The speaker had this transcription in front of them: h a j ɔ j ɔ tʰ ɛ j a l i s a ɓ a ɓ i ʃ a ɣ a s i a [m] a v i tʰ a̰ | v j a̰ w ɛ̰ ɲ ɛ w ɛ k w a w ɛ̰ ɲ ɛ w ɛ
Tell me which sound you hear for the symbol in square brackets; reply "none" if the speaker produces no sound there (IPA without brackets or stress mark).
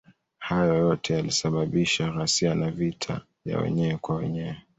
n